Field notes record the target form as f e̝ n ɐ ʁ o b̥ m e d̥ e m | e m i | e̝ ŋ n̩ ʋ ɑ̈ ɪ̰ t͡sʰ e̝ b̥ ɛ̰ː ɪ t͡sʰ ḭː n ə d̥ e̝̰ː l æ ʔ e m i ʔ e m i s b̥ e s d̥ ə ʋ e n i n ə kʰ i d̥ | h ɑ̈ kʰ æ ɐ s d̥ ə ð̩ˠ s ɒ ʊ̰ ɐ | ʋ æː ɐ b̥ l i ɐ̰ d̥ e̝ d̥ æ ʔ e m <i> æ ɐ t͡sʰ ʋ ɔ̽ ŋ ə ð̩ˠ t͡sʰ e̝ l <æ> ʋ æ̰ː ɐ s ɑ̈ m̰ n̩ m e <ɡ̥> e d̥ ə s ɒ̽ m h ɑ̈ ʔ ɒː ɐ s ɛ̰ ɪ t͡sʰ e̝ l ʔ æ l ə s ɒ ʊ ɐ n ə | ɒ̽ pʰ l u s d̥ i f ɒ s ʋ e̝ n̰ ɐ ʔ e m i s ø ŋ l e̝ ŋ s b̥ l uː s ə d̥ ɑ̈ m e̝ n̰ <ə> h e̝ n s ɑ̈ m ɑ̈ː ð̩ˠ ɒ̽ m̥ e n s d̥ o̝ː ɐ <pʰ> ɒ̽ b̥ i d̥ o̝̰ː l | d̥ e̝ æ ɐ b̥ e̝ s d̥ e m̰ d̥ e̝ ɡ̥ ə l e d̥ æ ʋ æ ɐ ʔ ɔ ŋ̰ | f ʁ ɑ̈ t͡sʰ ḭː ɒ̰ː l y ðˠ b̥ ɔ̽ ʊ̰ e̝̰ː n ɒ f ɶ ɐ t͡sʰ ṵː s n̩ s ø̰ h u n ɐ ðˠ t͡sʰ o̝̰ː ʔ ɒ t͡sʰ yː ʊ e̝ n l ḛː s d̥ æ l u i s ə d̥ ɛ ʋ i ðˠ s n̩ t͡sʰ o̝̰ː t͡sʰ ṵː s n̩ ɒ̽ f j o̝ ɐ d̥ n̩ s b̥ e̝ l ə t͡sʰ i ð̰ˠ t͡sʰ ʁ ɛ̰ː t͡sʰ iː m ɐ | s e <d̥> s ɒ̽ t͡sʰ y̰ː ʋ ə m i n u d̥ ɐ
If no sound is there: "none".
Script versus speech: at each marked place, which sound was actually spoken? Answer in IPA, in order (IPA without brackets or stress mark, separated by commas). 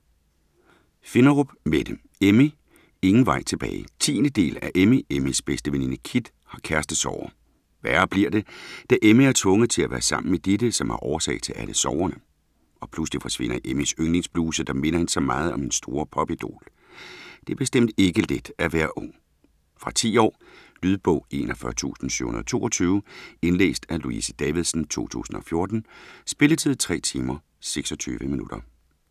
i, æ, d̥, ɐ, pʰ, ɡ̥